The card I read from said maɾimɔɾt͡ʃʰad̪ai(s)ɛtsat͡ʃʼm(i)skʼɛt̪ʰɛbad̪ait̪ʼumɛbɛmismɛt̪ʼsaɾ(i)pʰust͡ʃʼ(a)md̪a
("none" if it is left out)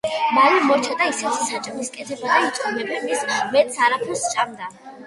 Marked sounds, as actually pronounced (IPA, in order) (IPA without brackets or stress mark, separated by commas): s, i, a, a